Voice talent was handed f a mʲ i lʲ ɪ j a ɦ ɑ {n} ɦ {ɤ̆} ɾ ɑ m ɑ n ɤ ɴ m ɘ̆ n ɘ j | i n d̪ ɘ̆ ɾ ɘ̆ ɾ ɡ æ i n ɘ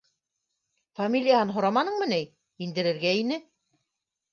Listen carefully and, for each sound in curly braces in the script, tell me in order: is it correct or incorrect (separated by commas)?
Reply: correct, incorrect